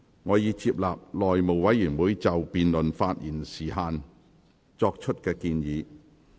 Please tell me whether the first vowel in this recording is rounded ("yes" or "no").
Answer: yes